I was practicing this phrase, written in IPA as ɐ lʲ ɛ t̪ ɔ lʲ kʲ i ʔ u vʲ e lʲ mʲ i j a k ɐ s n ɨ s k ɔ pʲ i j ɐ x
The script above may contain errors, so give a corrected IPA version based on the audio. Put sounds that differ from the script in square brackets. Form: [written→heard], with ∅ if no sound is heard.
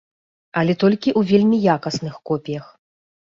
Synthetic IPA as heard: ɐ lʲ ɛ t̪ ɔ lʲ kʲ i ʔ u vʲ e lʲ mʲ i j a k ɐ s n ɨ [s→x] k ɔ pʲ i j ɐ x